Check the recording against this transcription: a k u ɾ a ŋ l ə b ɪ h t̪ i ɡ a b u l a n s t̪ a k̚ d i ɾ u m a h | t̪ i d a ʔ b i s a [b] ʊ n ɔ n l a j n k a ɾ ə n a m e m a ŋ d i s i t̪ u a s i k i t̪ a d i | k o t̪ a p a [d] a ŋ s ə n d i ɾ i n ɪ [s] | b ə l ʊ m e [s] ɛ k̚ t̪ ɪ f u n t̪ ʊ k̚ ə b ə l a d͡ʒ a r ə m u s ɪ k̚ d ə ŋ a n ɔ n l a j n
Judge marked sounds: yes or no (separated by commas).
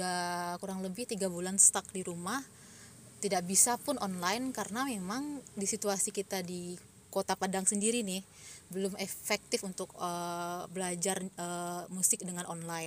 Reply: no, yes, no, no